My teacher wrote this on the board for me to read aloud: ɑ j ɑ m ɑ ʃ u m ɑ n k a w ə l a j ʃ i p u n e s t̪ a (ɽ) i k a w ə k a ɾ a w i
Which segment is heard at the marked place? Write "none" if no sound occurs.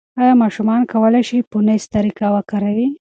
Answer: ɾ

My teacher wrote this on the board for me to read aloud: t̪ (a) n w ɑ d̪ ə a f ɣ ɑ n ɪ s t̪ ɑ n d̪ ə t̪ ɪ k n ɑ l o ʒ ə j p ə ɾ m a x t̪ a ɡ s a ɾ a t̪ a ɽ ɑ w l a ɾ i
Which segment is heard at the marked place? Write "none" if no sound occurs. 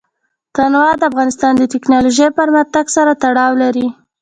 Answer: a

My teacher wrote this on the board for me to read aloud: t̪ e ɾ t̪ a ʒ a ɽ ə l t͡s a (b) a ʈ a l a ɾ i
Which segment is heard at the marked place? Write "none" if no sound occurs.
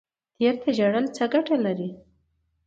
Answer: ɡ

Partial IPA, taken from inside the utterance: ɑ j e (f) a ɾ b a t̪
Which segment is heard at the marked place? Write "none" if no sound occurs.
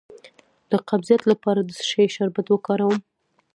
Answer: ʃ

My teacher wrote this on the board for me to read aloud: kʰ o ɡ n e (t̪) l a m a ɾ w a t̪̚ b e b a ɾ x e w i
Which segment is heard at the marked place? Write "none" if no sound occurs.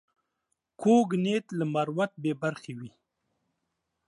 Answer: t̪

